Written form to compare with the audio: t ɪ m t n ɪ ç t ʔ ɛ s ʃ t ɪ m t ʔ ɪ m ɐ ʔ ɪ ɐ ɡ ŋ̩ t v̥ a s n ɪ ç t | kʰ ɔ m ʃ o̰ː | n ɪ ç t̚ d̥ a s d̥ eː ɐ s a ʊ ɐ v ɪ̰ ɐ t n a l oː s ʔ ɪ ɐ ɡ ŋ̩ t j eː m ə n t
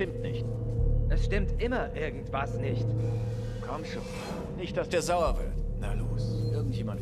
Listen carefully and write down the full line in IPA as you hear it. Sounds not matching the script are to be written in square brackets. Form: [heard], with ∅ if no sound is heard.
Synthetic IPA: t ɪ m t n ɪ ç t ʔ ɛ s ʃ t ɪ m t ʔ ɪ m ɐ ʔ ɪ ɐ ɡ ŋ̩ t v̥ a s n ɪ ç t | kʰ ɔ m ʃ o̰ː | n ɪ ç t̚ d̥ a s d̥ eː ɐ [z] a ʊ ɐ v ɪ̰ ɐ t n a l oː s ʔ ɪ ɐ ɡ ŋ̩ t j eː m [a] n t